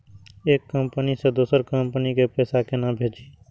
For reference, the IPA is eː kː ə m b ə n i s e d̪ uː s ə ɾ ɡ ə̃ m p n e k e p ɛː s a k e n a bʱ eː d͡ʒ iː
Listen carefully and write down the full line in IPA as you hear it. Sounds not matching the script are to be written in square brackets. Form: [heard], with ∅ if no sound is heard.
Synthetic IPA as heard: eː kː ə m [p] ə n i s e d̪ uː s ə ɾ [k] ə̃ m p n [i] k e p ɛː s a k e n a bʱ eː d͡ʒ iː